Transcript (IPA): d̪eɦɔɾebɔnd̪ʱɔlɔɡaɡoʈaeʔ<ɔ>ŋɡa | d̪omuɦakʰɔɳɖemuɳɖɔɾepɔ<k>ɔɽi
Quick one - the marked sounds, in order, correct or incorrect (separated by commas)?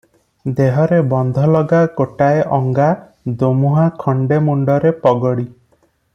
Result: correct, incorrect